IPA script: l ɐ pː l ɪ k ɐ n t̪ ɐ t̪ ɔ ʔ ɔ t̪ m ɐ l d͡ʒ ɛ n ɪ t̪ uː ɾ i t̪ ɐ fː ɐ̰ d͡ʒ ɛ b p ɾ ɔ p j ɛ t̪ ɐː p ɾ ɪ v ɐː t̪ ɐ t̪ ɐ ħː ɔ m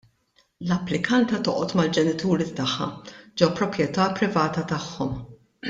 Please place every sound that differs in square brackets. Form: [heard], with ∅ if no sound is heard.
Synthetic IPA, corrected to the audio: l ɐ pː l ɪ k ɐ n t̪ ɐ t̪ ɔ ʔ ɔ t̪ m ɐ l d͡ʒ ɛ n ɪ t̪ uː ɾ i t̪ ɐ [ħː] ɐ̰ d͡ʒ ɛ [w] p ɾ ɔ p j ɛ t̪ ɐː p ɾ ɪ v ɐː t̪ ɐ t̪ ɐ ħː ɔ m